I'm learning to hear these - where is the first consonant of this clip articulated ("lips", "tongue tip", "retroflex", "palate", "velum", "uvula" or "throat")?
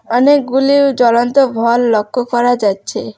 tongue tip